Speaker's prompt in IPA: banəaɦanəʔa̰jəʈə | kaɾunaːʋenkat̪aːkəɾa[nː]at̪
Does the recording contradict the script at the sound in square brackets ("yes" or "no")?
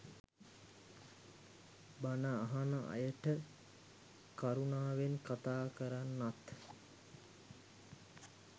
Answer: no